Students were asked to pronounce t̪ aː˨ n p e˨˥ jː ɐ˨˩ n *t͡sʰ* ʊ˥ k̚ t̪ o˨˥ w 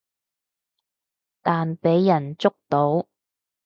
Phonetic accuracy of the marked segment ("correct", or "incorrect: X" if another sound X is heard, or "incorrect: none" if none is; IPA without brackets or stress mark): incorrect: t͡s